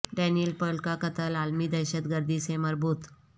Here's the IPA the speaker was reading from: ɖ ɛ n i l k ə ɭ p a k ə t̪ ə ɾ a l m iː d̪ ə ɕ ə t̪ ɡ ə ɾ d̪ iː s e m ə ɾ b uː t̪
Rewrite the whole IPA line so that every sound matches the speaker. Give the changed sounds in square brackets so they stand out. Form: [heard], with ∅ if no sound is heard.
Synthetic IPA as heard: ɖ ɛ n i l [p] ə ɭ [k] a k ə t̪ ə [l] a l m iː d̪ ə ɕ ə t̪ ɡ ə ɾ d̪ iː s e m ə ɾ b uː t̪

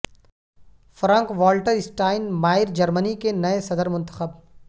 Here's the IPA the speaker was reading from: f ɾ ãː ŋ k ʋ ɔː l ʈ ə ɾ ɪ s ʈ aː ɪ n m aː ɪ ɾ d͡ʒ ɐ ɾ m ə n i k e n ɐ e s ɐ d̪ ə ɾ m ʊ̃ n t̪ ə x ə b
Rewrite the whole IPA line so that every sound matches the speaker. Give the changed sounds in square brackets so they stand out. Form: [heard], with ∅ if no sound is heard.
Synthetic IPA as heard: f ɾ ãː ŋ k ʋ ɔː l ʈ ə ɾ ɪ s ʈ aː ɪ n m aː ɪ ɾ d͡ʒ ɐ ɾ m ə n i k e n ɐ e s ɐ d̪ ə ɾ m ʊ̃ n t̪ ə x ə b

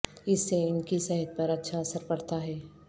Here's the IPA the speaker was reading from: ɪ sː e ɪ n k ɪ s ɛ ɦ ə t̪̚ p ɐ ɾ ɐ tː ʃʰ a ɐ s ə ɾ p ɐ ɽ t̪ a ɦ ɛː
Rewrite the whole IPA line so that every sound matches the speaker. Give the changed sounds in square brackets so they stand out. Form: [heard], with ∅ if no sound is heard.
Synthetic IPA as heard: ɪ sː e ɪ n k [i] s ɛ ɦ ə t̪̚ p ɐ ɾ ɐ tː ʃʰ a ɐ s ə ɾ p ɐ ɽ t̪ a ɦ ɛː

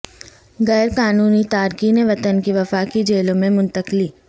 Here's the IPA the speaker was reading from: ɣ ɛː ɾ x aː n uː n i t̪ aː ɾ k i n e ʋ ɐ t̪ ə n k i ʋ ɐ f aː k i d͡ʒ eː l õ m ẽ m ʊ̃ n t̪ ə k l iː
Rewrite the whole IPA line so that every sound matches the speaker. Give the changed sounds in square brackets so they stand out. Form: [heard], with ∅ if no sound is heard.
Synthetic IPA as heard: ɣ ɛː ɾ [k] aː n uː n i t̪ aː ɾ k i n e ʋ ɐ t̪ ə n k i ʋ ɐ f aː k i d͡ʒ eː l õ m ẽ m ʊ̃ n t̪ ə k l iː

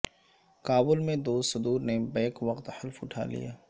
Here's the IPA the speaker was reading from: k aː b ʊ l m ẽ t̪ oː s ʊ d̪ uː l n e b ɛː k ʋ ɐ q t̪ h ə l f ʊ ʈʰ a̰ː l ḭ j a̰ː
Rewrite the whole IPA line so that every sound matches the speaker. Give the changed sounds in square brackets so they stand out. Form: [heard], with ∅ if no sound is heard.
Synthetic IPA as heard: k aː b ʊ l m ẽ [d̪] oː s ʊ d̪ uː [ɾ] n e b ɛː k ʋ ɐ q t̪ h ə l f ʊ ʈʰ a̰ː l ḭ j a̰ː

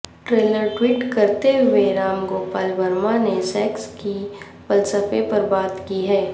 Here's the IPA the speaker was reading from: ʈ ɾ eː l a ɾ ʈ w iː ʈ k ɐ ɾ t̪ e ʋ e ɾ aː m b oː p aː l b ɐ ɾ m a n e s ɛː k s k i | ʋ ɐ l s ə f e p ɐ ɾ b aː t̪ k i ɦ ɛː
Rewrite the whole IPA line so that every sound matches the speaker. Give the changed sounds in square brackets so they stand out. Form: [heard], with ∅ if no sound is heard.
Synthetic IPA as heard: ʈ ɾ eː l [ə] ɾ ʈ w iː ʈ k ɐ ɾ t̪ e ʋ e ɾ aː m [ɡ] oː p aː l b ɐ ɾ m a n e s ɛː k s k i | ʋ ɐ l s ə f e p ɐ ɾ b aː t̪ k i ɦ ɛː

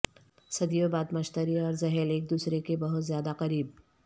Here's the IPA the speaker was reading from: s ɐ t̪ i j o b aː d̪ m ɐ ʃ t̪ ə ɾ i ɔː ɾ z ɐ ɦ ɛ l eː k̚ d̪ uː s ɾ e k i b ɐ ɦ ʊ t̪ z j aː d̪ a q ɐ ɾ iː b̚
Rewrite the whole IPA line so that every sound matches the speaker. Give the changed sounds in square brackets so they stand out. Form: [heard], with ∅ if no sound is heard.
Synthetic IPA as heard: s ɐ [d̪] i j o b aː d̪ m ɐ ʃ t̪ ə ɾ i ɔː ɾ z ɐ ɦ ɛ l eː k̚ d̪ uː s ɾ e k [e] b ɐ ɦ ʊ t̪ z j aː d̪ a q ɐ ɾ iː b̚

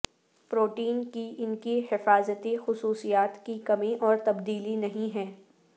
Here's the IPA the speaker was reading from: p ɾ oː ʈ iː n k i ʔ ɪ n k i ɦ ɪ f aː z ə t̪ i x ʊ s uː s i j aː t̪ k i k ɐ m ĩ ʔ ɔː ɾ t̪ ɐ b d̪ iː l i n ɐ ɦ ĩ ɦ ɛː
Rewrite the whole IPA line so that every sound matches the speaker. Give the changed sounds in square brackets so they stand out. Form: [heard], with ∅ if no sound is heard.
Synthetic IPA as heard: p ɾ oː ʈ iː n k i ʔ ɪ n k i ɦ ɪ f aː z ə t̪ i x ʊ s uː s i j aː t̪ k i k ɐ m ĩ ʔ ɔː ɾ t̪ ɐ b d̪ iː l i n ɐ ɦ ĩ ɦ ɛː

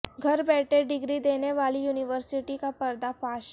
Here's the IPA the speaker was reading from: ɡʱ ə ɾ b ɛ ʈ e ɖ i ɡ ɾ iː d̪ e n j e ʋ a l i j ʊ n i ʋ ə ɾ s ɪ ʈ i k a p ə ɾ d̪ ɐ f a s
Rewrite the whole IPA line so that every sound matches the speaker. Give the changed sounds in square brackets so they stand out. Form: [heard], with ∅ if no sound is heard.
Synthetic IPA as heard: ɡʱ ə ɾ b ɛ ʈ e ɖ i ɡ ɾ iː d̪ e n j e ʋ a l i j [u] n i ʋ ə ɾ s [i] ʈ i k a p ə ɾ d̪ [a] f a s

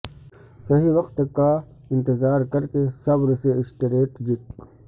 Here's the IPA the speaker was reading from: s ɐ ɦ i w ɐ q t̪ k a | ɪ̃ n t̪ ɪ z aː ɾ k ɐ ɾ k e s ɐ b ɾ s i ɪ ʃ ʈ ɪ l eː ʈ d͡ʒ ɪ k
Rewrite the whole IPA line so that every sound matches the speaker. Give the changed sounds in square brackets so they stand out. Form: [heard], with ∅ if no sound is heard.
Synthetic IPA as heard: s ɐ ɦ i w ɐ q t̪ k a | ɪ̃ n t̪ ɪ z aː ɾ k ɐ ɾ k e s ɐ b ɾ s [e] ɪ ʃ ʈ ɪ [ɾ] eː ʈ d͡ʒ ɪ k

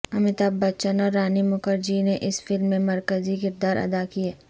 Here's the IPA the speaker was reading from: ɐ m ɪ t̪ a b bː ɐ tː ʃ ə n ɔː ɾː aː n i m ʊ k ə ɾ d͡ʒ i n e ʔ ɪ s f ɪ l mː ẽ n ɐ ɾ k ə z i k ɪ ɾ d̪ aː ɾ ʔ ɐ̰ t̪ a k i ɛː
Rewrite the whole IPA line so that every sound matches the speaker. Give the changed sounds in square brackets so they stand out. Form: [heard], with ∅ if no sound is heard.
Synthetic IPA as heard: ɐ m ɪ t̪ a b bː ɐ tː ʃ ə n ɔː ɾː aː n i m ʊ k ə ɾ d͡ʒ i n e ʔ ɪ s f ɪ l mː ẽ [m] ɐ ɾ k ə z i k ɪ ɾ d̪ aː ɾ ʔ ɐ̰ [d̪] a k i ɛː

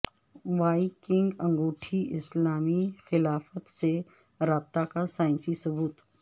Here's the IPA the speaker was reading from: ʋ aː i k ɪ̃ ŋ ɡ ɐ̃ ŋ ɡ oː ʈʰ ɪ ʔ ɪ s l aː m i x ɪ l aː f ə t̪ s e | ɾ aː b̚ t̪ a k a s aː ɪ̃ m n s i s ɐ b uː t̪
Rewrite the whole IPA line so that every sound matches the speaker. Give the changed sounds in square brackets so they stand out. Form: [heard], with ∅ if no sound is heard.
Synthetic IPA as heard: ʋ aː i k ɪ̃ ŋ ɡ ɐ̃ ŋ ɡ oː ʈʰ [i] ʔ ɪ s l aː m i x ɪ l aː f ə t̪ s e | ɾ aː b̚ t̪ a k a s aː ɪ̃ [∅] n s i s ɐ b uː t̪

